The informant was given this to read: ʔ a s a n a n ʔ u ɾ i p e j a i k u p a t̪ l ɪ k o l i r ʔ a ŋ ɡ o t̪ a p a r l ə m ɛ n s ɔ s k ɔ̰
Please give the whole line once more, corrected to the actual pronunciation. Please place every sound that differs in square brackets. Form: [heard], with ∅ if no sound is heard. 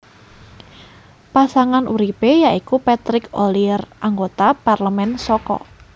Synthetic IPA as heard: [p] a s a [ŋ] a n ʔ u ɾ i p e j a i k u p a t̪ [ɾ] ɪ k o l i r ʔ a ŋ ɡ o t̪ a p a r l ə m ɛ n s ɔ [∅] k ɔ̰